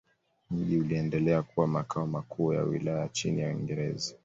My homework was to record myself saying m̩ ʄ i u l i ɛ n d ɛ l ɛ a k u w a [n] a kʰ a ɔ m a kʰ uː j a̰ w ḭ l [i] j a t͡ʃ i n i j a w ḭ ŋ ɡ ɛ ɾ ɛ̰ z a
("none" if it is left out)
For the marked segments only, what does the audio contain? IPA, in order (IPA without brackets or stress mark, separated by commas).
m, a